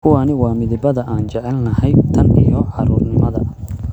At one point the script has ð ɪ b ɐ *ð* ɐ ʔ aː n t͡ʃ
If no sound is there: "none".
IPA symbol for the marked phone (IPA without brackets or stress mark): ð